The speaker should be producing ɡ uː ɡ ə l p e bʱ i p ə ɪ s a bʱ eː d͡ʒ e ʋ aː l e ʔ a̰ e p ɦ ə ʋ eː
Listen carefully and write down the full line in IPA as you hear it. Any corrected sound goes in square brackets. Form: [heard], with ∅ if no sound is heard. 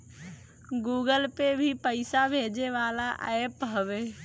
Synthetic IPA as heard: ɡ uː ɡ ə l p e bʱ i p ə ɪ s a bʱ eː d͡ʒ e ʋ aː l [a] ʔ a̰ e p ɦ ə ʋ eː